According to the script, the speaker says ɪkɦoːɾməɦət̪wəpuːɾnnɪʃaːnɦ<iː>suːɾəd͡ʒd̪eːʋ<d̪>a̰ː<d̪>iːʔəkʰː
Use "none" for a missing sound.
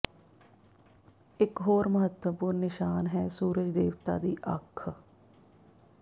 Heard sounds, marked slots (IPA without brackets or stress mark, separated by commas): ɛː, t̪, d̪